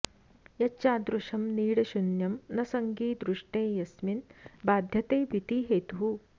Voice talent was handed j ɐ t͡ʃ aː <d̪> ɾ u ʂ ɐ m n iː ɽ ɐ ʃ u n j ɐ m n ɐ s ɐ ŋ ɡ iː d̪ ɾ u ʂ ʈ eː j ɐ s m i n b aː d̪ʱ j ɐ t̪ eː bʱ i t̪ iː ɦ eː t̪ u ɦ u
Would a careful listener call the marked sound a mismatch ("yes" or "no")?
no